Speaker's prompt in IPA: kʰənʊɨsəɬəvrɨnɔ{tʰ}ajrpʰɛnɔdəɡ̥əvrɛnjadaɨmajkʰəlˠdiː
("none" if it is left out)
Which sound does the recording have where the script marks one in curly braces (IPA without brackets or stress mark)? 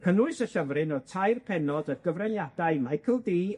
tʰ